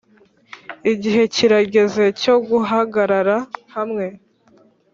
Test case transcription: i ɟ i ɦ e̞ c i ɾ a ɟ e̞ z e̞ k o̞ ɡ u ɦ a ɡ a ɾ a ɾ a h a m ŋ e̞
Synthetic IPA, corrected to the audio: i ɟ i ɦ e̞ c i ɾ a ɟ e̞ z e̞ c o̞ ɡ u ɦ a ɡ a ɾ a ɾ a h a m ŋ e̞